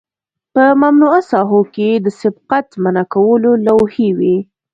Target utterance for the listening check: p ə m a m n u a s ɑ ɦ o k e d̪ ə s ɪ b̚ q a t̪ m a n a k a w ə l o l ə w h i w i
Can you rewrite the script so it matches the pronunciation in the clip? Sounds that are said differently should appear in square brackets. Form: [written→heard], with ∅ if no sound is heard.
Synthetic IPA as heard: p ə m a m n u a s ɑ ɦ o k e d̪ ə s ɪ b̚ q a t̪ m a n a k a w ə l o l [ə→a] w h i w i

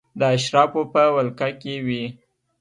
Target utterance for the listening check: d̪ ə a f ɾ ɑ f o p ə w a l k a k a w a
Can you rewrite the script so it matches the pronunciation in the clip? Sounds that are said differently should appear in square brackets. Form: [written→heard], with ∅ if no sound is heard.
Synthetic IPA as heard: d̪ ə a [f→ʃ] ɾ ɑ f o p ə w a l k a k [a→e] w [a→i]

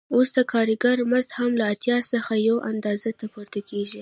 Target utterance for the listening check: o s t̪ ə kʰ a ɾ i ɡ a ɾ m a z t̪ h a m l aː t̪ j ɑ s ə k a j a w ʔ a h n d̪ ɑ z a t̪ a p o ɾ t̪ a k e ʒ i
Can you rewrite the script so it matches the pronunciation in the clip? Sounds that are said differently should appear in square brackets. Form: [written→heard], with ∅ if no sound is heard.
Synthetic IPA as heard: o s [t̪→d̪] ə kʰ [a→ɑ] ɾ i ɡ a ɾ m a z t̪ h a m l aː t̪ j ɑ s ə [k→x] a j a w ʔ a [h→∅] n d̪ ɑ z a t̪ a p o ɾ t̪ a k e ʒ i

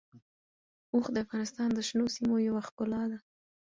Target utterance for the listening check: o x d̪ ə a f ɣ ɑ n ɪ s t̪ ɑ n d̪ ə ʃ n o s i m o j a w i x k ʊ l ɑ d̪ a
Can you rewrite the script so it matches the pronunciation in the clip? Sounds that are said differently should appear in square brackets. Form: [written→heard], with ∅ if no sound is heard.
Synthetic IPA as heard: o x d̪ ə a f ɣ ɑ n ɪ s t̪ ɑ n d̪ ə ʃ n o s i m o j a w [i→a] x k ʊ l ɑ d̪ a

